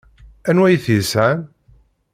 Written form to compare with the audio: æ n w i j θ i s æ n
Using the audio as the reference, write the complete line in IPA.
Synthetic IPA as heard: æ n w æ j θ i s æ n